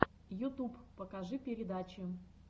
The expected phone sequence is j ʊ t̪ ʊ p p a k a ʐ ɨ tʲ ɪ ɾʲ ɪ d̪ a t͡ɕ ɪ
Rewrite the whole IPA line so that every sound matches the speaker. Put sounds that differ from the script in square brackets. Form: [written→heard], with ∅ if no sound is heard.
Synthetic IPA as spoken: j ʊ t̪ [ʊ→u] p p [a→ə] k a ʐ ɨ [tʲ→pʲ] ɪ ɾʲ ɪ d̪ a t͡ɕ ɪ